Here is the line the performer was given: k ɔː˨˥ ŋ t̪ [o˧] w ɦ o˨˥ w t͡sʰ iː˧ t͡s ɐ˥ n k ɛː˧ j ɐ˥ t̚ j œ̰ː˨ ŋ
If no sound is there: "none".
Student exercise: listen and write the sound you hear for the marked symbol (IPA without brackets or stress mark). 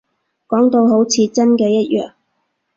o˧